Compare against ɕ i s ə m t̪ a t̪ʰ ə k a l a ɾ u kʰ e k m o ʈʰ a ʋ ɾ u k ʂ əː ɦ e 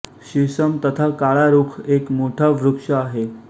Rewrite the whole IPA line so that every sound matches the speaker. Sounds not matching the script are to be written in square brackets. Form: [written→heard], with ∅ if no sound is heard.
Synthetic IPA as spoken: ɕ i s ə m t̪ [a→ə] t̪ʰ [ə→a] k a [l→ɭ] a ɾ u kʰ e k m o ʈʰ a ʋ ɾ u k ʂ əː ɦ e